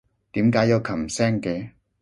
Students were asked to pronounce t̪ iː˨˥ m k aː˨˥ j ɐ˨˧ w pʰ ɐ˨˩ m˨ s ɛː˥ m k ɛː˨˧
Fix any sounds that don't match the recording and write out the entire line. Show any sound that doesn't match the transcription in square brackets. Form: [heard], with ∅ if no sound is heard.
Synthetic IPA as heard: t̪ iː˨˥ m k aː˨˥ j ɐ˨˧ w [kʰ] ɐ˨˩ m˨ s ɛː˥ [ŋ] k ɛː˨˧